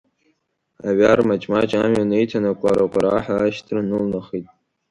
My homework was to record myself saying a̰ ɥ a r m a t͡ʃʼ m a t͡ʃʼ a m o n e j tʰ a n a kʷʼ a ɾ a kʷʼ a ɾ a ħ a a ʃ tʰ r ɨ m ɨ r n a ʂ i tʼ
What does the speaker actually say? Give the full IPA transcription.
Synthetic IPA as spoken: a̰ ɥ a r m a t͡ʃʼ m a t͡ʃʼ a m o n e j tʰ a n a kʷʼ a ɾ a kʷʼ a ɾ a ħ a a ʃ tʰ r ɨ n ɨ l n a χ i tʼ